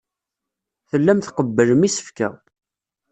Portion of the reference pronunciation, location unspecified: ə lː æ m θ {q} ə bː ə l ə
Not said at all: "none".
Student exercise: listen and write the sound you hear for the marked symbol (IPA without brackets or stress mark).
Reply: q